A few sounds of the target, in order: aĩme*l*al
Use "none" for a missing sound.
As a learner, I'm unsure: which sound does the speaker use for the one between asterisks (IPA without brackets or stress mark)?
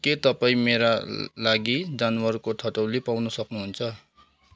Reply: ɾ